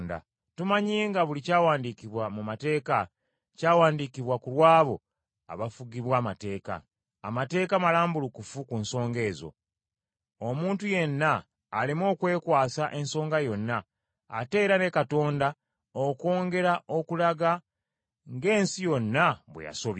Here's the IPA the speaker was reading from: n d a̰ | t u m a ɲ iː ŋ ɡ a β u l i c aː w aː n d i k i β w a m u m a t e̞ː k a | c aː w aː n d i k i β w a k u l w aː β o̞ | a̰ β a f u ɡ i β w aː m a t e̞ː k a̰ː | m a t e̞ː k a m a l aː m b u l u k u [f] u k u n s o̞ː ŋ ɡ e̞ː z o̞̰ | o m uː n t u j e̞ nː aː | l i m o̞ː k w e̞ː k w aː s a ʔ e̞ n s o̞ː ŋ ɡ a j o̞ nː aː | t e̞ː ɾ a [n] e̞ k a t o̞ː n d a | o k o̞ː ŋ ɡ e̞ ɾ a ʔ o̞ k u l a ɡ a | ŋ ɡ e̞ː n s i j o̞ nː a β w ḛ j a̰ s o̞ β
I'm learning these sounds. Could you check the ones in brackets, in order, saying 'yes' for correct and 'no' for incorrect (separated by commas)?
yes, yes